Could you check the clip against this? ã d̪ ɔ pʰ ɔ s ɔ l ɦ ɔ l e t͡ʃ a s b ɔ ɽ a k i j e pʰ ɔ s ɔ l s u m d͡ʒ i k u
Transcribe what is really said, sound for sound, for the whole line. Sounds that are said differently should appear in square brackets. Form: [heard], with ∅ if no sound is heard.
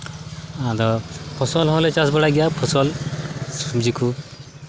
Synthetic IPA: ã d̪ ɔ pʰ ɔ s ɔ l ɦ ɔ l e t͡ʃ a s b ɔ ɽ a [ɡ] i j [a] pʰ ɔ s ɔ l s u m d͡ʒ i k u